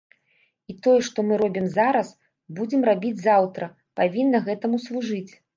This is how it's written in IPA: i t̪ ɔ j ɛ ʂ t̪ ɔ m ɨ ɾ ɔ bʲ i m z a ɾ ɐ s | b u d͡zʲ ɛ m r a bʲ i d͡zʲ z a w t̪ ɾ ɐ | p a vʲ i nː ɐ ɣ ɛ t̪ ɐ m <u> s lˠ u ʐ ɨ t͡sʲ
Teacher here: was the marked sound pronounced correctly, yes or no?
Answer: yes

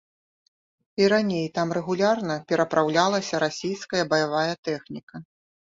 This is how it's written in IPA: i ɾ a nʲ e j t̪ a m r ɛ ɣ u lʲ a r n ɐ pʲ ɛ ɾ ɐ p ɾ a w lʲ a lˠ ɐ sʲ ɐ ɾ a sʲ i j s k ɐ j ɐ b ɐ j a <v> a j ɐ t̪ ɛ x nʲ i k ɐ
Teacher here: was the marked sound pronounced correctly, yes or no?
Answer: yes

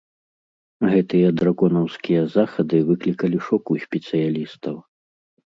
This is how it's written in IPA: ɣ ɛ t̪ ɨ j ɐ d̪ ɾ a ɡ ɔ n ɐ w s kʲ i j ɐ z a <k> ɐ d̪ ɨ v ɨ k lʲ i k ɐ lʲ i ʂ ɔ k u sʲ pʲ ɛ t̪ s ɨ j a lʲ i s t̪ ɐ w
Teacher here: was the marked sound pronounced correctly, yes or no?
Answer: no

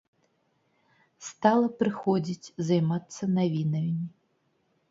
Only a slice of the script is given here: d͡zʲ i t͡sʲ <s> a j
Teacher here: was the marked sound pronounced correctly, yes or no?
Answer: no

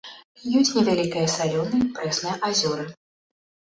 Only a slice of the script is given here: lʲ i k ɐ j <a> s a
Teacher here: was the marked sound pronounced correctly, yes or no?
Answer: no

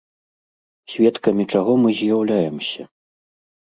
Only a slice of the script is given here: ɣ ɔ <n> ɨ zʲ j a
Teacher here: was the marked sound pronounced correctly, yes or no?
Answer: no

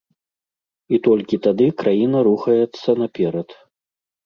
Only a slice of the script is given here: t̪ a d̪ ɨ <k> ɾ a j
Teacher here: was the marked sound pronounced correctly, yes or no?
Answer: yes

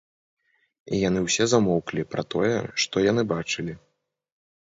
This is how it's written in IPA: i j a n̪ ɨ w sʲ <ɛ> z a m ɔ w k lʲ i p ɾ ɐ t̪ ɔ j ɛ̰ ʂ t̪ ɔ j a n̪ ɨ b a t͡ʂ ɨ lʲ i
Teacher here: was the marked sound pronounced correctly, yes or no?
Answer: yes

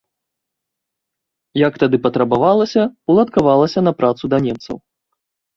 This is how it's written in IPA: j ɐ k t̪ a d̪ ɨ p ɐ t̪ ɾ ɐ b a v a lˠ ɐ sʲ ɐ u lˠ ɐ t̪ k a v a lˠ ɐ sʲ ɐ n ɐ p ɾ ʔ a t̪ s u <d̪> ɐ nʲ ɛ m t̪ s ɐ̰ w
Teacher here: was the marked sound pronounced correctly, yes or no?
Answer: yes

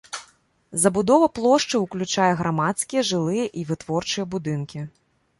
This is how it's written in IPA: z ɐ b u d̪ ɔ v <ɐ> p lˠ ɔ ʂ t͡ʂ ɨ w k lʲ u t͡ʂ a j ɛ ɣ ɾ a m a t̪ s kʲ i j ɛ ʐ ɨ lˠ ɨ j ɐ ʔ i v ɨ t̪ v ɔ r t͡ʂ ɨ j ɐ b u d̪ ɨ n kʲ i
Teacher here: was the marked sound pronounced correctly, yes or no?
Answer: yes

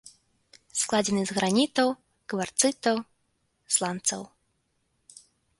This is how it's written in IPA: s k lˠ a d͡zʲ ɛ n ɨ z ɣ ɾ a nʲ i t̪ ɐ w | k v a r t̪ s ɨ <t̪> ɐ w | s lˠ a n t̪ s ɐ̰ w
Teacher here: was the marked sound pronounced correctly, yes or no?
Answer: yes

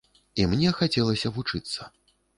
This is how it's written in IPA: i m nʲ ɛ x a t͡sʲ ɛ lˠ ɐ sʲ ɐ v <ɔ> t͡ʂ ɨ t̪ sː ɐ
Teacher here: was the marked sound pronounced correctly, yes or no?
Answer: no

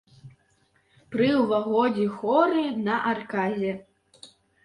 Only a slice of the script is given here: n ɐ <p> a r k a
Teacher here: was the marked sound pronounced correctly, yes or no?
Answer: no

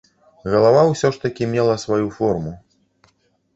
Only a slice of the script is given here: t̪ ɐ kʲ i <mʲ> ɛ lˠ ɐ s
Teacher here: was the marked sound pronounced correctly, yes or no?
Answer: yes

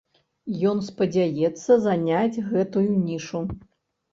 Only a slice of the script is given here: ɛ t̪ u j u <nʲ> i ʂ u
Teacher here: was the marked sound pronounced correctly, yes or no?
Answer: yes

